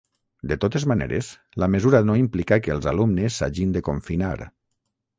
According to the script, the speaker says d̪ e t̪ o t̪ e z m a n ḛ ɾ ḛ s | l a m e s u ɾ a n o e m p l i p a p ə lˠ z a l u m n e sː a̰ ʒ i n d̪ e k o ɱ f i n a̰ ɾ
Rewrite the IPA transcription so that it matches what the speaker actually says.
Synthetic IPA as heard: d̪ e t̪ o t̪ e z m a n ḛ ɾ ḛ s | l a m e z u ɾ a n o i m p l i k a k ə lˠ z a l u m n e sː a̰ ʒ i n d̪ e k o ɱ f i n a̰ ɾ